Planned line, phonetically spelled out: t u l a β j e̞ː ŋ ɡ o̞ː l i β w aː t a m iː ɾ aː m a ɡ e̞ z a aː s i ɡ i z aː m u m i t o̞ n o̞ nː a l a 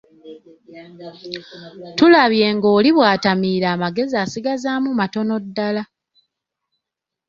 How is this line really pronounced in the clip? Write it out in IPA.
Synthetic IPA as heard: t u l a β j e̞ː ŋ ɡ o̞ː l i β w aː t a m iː ɾ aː m a ɡ e̞ z i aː s i ɡ a z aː m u m a t o̞ n o̞ dː a l a